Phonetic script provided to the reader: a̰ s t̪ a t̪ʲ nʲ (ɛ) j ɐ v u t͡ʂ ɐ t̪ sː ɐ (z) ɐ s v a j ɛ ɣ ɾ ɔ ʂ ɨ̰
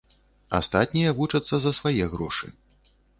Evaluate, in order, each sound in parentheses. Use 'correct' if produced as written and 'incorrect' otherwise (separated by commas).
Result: incorrect, correct